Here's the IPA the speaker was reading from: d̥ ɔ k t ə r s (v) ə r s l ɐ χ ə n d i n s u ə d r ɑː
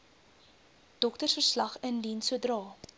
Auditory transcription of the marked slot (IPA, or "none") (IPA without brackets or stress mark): f